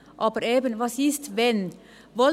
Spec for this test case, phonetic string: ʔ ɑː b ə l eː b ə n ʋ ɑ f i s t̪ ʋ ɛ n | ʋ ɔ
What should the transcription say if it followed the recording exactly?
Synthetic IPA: ʔ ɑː b ə ɾ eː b ə n ʋ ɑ s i s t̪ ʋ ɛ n | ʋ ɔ